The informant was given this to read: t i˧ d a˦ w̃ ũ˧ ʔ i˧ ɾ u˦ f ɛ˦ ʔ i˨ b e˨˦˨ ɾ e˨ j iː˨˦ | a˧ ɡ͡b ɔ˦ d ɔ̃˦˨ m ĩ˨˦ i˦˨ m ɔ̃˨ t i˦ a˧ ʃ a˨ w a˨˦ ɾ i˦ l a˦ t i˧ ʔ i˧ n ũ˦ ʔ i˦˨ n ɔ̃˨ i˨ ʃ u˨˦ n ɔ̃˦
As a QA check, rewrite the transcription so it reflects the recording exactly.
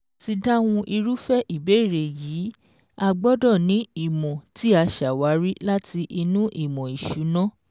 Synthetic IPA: t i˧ d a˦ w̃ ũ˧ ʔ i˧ ɾ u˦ f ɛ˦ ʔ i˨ b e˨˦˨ ɾ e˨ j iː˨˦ | a˧ ɡ͡b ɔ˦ d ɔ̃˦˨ n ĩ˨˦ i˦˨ m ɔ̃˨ t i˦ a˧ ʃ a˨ w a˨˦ ɾ i˦ l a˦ t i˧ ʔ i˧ n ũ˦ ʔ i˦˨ m ɔ̃˨ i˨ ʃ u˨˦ n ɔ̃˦